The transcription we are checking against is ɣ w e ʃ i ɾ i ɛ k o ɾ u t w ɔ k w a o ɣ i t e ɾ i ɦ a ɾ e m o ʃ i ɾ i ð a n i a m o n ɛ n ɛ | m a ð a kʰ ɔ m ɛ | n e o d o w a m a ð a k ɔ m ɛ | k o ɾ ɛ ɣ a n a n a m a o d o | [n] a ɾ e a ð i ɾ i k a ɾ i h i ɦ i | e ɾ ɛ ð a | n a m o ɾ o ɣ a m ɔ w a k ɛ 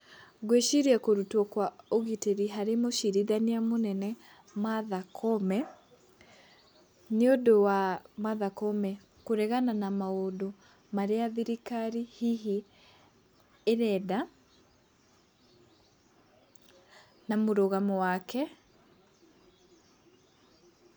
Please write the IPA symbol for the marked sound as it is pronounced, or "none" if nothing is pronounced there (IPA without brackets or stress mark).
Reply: m